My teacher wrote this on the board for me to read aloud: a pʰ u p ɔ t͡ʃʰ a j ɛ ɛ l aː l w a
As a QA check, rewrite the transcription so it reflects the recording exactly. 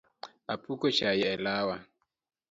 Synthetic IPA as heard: a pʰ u k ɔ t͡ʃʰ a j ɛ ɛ l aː w a